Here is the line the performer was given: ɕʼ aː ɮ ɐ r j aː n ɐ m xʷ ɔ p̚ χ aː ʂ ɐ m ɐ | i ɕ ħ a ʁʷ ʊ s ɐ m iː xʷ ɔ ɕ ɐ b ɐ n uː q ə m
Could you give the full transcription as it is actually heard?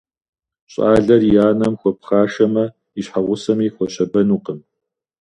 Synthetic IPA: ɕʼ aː ɮ ɐ r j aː n ɐ m xʷ ɔ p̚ χ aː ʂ ɐ m ɐ | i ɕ ħ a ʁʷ ʊ s ɐ m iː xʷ ɔ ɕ ɐ b ɐ n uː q ə m